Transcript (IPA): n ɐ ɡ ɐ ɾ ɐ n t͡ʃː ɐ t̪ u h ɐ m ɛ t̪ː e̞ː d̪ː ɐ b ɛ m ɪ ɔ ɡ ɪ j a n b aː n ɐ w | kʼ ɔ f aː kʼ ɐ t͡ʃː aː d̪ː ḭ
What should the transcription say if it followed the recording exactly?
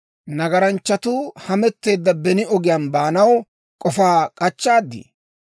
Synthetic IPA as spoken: n ɐ ɡ ɐ ɾ ɐ n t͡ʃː ɐ t̪ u h ɐ m ɛ t̪ː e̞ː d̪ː ɐ b ɛ n ɪ ɔ ɡ ɪ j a n b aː n ɐ w | kʼ ɔ f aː kʼ ɐ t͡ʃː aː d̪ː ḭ